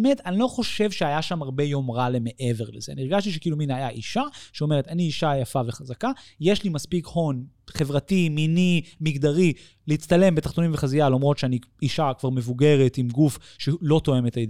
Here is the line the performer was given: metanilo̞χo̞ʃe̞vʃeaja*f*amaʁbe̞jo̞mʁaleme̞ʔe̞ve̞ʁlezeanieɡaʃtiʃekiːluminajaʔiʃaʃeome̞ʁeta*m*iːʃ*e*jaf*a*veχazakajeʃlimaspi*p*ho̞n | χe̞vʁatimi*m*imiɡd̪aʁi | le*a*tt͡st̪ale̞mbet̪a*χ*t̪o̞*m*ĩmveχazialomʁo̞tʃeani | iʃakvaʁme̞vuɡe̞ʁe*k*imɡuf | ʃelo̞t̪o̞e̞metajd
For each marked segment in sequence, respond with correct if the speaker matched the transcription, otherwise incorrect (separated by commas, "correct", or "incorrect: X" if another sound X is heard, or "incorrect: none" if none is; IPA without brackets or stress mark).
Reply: incorrect: ʃ, incorrect: n, incorrect: a, correct, incorrect: k, incorrect: n, incorrect: i, correct, incorrect: n, incorrect: t